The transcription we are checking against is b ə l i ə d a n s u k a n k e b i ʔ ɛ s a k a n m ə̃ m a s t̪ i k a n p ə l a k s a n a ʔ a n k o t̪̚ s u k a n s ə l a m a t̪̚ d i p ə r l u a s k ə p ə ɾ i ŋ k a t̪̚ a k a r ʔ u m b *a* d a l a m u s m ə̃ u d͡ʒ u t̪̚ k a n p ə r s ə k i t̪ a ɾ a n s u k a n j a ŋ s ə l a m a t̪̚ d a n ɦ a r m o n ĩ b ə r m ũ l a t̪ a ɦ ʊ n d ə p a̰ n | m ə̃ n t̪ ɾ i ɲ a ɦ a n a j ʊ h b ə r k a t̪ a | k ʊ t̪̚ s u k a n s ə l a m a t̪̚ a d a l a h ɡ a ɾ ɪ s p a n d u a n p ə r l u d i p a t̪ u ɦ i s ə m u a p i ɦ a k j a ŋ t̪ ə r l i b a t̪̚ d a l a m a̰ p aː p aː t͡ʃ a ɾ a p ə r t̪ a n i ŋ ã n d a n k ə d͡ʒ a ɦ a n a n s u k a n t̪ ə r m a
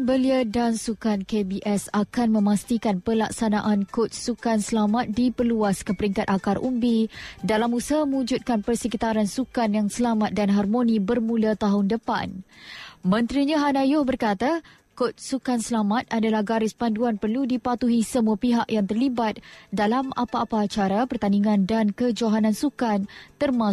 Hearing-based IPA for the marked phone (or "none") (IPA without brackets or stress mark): i